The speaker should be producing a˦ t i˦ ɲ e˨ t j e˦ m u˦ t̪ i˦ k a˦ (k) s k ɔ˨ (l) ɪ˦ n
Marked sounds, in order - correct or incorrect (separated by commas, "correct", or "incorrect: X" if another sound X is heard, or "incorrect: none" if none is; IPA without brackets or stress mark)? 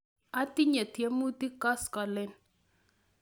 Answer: incorrect: none, correct